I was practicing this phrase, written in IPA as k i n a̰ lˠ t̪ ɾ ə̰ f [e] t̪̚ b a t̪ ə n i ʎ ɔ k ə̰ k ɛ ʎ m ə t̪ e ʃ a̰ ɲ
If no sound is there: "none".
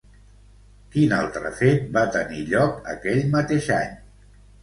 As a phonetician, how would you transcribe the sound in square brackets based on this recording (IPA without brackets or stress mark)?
e